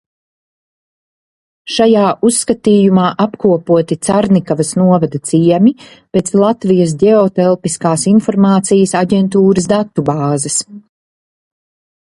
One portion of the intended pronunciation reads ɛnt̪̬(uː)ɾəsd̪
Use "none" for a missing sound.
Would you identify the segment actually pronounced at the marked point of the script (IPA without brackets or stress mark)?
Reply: uː